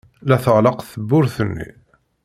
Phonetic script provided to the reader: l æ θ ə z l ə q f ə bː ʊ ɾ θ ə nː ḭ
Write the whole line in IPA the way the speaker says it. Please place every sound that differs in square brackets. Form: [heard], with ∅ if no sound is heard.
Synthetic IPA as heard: l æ θ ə [ʁ] l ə q [θ] ə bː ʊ ɾ θ ə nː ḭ